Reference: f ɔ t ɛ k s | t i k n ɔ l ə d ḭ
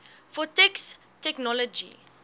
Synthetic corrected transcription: f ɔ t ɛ k s | t ɛ k n ɔ l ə d͡ʒ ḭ